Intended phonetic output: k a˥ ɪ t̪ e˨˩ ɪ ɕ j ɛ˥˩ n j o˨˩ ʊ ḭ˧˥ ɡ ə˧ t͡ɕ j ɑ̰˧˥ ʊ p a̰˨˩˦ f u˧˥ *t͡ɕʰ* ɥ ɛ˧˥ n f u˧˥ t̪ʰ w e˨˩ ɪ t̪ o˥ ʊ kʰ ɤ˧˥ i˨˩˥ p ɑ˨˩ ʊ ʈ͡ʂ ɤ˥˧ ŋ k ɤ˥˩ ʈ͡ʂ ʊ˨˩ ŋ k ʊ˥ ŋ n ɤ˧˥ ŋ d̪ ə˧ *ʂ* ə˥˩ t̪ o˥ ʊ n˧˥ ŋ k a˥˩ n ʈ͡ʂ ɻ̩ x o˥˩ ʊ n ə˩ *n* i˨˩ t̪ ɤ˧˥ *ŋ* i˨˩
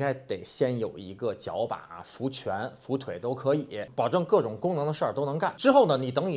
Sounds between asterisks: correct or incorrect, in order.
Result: correct, correct, correct, correct

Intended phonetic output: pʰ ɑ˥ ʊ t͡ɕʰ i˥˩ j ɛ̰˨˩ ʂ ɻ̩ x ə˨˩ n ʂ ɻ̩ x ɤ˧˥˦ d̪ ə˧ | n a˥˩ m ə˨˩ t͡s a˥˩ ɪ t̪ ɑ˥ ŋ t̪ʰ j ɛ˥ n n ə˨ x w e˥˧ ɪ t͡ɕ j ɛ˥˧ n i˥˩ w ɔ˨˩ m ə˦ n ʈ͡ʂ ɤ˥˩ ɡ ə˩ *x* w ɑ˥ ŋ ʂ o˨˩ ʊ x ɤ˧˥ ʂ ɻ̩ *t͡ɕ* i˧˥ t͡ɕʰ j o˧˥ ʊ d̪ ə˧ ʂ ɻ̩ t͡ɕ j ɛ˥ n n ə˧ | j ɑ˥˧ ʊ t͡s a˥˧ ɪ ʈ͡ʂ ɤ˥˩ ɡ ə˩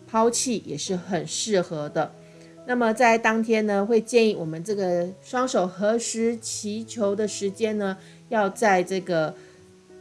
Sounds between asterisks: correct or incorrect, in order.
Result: incorrect: ʂ, incorrect: t͡ɕʰ

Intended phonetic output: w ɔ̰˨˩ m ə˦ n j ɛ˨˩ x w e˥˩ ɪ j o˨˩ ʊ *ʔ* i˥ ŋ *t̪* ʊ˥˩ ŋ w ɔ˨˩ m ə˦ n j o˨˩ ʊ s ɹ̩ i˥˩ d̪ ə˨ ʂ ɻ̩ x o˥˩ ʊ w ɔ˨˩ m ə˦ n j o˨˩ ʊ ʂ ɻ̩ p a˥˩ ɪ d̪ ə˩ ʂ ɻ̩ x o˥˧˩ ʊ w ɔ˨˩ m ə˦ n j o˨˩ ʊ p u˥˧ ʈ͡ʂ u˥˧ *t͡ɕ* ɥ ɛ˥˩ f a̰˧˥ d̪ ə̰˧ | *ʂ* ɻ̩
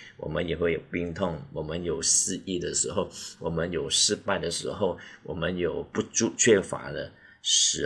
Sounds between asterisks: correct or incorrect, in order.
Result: incorrect: p, incorrect: t̪ʰ, incorrect: t͡ɕʰ, correct

